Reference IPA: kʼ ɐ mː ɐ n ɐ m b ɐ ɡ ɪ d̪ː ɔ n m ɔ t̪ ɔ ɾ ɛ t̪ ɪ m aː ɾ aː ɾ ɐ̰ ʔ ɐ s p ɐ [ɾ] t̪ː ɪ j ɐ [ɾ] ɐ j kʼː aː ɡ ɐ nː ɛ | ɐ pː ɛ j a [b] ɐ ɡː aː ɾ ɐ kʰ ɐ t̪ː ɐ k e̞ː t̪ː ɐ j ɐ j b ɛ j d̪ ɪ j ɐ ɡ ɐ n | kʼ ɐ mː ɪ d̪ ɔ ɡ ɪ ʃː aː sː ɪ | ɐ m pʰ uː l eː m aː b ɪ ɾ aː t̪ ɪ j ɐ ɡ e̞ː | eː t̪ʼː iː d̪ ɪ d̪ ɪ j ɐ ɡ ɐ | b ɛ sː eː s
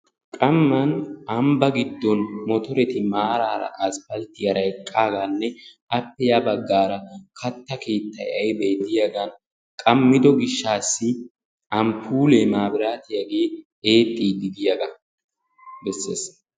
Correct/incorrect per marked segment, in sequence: incorrect: l, correct, correct

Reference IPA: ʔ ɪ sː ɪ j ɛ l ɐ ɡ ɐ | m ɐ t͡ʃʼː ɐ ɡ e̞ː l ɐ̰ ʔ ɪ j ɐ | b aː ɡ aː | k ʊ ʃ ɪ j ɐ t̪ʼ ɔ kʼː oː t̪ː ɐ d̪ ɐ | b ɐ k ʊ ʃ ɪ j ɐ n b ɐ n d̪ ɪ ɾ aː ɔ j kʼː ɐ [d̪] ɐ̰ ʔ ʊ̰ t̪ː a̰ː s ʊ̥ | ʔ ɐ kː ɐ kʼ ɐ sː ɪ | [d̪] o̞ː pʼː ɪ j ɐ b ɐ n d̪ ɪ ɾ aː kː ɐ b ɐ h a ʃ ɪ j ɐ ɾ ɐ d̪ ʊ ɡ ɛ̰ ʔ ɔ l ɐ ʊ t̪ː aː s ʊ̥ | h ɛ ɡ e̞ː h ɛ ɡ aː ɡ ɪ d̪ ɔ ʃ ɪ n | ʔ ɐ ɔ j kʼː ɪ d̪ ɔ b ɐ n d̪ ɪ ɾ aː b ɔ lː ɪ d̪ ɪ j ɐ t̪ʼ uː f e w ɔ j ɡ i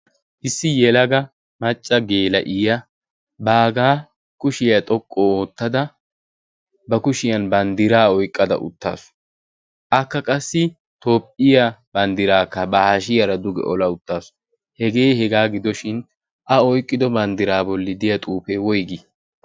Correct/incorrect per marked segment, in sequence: correct, incorrect: t̪

